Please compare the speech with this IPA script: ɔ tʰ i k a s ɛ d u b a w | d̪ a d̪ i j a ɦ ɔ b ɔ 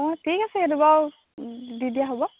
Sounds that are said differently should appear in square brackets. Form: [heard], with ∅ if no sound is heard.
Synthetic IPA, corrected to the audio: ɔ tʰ i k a s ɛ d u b a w | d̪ [i] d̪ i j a ɦ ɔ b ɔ

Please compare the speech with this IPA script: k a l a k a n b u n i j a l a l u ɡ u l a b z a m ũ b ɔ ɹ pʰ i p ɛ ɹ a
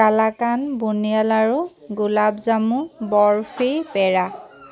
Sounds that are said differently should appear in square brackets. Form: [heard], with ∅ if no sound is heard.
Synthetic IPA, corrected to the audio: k a l a k a n b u n i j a l a [ɹ] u ɡ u l a b z a m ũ b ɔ ɹ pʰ i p ɛ ɹ a

